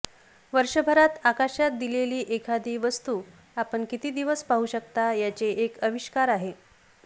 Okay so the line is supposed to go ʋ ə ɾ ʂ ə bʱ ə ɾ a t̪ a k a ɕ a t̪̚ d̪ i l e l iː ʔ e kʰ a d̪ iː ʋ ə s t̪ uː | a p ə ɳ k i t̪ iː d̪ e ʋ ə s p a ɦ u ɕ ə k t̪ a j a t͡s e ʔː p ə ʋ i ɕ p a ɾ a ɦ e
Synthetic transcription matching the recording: ʋ ə ɾ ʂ ə bʱ ə ɾ a t̪ a k a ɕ a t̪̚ d̪ i l e l iː ʔ e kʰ a d̪ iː ʋ ə s t̪ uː | a p ə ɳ k i t̪ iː d̪ i ʋ ə s p a ɦ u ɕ ə k t̪ a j a t͡s e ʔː k ə ʋ i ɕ k a ɾ a ɦ e